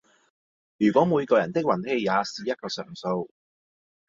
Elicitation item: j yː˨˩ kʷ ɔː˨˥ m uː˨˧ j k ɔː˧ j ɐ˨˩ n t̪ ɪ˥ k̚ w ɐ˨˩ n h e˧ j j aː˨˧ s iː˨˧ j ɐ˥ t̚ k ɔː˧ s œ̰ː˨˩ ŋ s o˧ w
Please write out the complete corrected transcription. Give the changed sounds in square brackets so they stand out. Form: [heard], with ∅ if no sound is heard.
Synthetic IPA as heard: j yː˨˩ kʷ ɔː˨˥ m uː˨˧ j k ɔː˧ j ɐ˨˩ n t̪ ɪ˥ k̚ w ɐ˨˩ n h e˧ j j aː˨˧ s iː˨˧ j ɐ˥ t̚ k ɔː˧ s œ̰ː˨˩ ŋ s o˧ w